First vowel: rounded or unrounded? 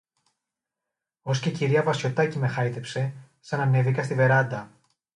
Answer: rounded